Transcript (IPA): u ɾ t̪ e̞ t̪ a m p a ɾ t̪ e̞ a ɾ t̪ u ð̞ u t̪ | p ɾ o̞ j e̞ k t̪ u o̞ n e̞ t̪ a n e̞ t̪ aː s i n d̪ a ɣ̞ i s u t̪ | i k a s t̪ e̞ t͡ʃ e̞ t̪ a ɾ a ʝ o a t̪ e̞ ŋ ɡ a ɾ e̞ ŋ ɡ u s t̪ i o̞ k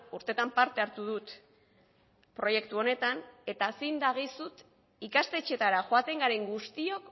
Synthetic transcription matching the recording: u ɾ t̪ e̞ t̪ a m p a ɾ t̪ e̞ a ɾ t̪ u ð̞ u t̪ | p ɾ o̞ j e̞ k t̪ u o̞ n e̞ t̪ a n e̞ t̪ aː s i n d̪ a ɣ̞ i s u t̪ | i k a s t̪ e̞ t͡ʃ e̞ t̪ a ɾ a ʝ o a t̪ e̞ ŋ ɡ a ɾ e̞ ŋ ɡ u s t̪ i o̞ k

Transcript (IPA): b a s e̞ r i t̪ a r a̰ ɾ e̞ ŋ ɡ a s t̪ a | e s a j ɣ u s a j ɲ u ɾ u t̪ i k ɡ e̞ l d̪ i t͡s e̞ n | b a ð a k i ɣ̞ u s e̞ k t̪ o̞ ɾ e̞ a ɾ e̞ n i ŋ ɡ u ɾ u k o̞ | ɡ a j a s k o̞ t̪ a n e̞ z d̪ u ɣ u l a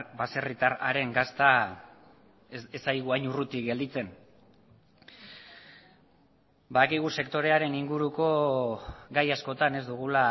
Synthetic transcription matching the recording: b a s e̞ r i t̪ a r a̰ ɾ e̞ ŋ ɡ a s t̪ a | e s a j ɣ u a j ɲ u r u t̪ i k ɡ e̞ l d̪ i t͡s e̞ n | b a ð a k i ɣ̞ u s e̞ k t̪ o̞ ɾ e̞ a ɾ e̞ n i ŋ ɡ u ɾ u k o̞ | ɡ a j a s k o̞ t̪ a n e̞ z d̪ u ɣ u l a

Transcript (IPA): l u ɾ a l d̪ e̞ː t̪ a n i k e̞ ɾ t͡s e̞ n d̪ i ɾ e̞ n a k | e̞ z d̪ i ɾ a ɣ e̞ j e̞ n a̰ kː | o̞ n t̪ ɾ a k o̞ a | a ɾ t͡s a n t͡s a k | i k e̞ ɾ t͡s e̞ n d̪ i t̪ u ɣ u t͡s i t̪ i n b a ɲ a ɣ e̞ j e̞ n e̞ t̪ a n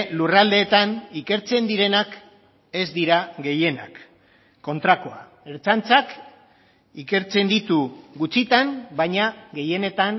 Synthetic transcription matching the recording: l u r a l d̪ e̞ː t̪ a n i k e̞ ɾ t͡s e̞ n d̪ i ɾ e̞ n a k | e̞ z d̪ i ɾ a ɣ e̞ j e̞ n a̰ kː | o̞ n t̪ ɾ a k o̞ a | e ɾ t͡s a n t͡s a k | i k e̞ ɾ t͡s e̞ n d̪ i t̪ u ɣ u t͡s i t̪ a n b a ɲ a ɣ e̞ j e̞ n e̞ t̪ a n

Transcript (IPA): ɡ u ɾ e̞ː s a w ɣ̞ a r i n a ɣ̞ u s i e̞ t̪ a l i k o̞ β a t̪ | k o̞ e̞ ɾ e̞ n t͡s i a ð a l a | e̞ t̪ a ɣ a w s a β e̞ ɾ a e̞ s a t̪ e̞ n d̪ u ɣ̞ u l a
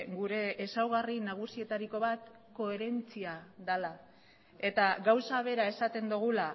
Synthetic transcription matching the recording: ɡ u ɾ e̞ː s a w ɣ̞ a r i n a ɣ̞ u s i e̞ t̪ a ɾ i k o̞ β a t̪ | k o̞ e̞ ɾ e̞ n t͡s i a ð a l a | e̞ t̪ a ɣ a w s a β e̞ ɾ a e̞ s a t̪ e̞ n d̪ u ɣ̞ u l a

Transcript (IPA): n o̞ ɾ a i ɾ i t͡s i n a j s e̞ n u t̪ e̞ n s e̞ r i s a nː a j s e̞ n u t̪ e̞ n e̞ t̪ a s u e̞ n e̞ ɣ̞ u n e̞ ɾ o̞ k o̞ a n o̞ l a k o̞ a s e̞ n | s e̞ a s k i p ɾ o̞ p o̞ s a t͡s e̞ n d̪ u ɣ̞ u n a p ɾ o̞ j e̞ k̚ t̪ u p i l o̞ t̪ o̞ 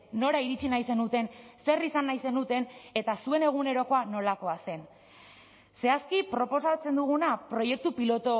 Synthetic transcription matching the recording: n o̞ ɾ a i ɾ i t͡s i n a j s e̞ n u t̪ e̞ n s e̞ r i s a nː a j s e̞ n u t̪ e̞ n e̞ t̪ a s u e̞ n e̞ ɣ̞ u n e̞ ɾ o̞ k o̞ a n o̞ l a k o̞ a s e̞ n | s e̞ a s k i p ɾ o̞ p o̞ s a t͡s e̞ n d̪ u ɣ̞ u n a p ɾ o̞ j e̞ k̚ t̪ u p i l o̞ t̪ o̞

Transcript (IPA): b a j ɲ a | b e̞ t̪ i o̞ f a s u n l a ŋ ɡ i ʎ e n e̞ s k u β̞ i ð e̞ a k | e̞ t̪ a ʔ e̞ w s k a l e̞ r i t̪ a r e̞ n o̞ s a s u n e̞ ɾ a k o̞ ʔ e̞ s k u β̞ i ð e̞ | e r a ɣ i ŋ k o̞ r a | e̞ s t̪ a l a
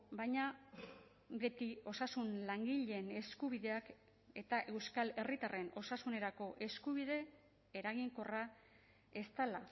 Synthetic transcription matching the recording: b a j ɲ a | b e̞ t̪ i o̞ s a s u n l a ŋ ɡ i ʎ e n e̞ s k u β̞ i ð e̞ a k | e̞ t̪ a ʔ e̞ w s k a l e̞ r i t̪ a r e̞ n o̞ s a s u n e̞ ɾ a k o̞ ʔ e̞ s k u β̞ i ð e̞ | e ɾ a ɣ i ŋ k o̞ r a | e̞ s t̪ a l a

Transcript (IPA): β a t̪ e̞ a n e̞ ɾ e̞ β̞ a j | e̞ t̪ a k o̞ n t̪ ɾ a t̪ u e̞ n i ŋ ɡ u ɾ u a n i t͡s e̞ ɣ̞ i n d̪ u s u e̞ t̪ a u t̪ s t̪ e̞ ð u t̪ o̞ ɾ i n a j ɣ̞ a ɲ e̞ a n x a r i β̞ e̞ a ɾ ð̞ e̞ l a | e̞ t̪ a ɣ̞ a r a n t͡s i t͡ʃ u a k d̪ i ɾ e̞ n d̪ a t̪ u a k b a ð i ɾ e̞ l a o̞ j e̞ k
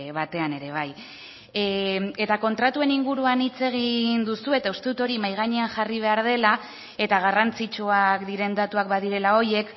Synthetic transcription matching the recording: β a t̪ e̞ a n e̞ ɾ e̞ β̞ a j | e̞ t̪ a k o̞ n t̪ ɾ a t̪ u e̞ n i ŋ ɡ u ɾ u a n i t͡s e̞ ɣ̞ i n d̪ u s u e̞ t̪ a u s t̪ e̞ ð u t̪ o̞ ɾ i m a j ɣ̞ a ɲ e̞ a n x a r i β̞ e̞ a ɾ ð̞ e̞ l a | e̞ t̪ a ɣ̞ a r a n t͡s i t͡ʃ u a k d̪ i ɾ e̞ n d̪ a t̪ u a k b a ð i ɾ e̞ l a o̞ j e̞ k

